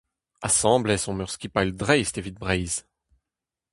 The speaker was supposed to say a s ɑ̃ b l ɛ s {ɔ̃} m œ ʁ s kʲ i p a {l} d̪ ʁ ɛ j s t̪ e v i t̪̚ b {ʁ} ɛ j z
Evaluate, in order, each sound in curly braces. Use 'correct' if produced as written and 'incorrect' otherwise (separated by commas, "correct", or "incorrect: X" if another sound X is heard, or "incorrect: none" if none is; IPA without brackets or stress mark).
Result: correct, correct, correct